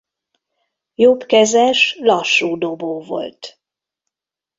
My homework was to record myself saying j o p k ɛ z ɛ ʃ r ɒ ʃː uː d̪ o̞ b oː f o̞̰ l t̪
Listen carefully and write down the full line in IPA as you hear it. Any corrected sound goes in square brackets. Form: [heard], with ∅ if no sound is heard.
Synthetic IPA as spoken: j o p k ɛ z ɛ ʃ [l] ɒ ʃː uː d̪ o̞ b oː [v] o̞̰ l t̪